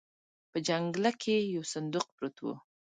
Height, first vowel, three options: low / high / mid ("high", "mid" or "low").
mid